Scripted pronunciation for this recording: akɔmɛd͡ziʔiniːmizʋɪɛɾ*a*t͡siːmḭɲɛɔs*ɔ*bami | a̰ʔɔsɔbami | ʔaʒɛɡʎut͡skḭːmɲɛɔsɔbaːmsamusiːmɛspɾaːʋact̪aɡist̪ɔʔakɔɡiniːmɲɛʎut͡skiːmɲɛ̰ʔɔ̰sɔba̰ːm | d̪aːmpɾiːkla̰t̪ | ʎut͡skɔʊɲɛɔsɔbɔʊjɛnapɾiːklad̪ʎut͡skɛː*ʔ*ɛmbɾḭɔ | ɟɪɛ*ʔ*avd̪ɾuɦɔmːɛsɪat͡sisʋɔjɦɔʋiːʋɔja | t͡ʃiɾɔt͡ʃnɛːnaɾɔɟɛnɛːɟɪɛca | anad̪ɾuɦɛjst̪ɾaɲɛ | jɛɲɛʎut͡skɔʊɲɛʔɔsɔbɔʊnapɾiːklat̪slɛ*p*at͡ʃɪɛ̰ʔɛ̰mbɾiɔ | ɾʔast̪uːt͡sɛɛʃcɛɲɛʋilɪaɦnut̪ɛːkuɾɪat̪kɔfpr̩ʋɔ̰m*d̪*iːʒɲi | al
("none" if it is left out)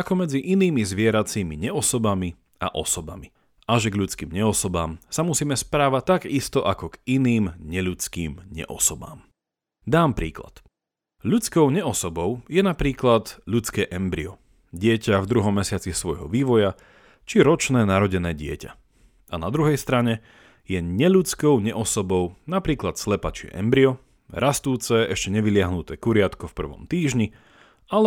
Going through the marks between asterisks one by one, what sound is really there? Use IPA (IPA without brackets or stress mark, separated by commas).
a, ɔ, ʔ, c, p, t̪